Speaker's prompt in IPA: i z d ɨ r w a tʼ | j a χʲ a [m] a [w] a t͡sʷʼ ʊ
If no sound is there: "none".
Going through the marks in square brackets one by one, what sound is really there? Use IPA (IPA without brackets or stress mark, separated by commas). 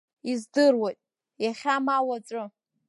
m, w